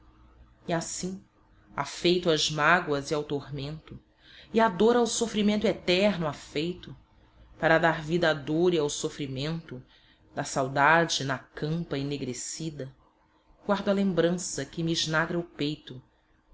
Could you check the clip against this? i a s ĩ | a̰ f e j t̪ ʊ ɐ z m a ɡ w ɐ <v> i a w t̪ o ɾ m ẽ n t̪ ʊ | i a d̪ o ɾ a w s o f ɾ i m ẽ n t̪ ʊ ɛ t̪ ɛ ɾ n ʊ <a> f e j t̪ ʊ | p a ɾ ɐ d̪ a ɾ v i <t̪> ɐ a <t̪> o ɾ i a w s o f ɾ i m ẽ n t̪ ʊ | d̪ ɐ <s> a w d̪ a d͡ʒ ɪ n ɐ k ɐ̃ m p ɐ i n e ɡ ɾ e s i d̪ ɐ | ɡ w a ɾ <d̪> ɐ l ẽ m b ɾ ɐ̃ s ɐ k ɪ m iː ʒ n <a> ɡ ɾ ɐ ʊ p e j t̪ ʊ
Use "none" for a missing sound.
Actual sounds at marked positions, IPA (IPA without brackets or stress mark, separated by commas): z, a, d̪, d̪, s, d̪, a